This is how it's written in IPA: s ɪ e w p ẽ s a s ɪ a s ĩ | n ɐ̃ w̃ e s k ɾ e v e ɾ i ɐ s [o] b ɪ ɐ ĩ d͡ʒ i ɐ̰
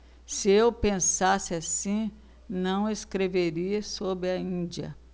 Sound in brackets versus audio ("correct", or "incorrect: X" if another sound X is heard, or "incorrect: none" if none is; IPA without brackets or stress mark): correct